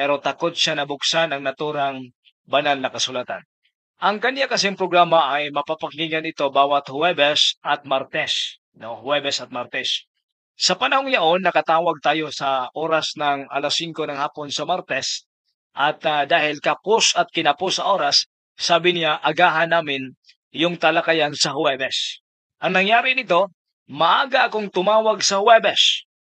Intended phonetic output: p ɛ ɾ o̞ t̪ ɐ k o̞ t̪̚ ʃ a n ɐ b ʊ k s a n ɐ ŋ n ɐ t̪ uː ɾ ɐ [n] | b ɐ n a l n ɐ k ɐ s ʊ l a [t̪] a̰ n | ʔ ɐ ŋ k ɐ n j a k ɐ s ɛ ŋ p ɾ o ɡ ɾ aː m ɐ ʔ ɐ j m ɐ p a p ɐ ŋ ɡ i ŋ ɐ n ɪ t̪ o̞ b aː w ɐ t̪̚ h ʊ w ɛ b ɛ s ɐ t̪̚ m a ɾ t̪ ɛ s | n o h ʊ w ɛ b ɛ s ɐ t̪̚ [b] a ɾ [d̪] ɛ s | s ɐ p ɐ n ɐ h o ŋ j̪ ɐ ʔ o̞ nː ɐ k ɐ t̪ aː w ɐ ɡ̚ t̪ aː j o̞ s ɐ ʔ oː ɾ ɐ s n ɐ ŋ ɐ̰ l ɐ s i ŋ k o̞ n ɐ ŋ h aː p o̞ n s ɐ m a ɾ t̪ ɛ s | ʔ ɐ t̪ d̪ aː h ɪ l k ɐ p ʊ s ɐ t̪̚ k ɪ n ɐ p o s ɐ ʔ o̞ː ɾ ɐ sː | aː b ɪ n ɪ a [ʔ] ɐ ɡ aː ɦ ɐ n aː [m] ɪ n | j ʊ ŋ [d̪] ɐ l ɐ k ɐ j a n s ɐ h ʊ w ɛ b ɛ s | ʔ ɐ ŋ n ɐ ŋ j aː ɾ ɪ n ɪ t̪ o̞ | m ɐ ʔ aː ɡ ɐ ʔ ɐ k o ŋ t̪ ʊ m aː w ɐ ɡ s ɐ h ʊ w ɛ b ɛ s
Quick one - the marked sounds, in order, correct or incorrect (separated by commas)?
incorrect, correct, incorrect, incorrect, correct, correct, incorrect